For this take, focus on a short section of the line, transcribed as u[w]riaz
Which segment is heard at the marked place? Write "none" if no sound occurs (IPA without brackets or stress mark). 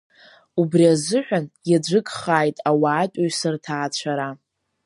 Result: b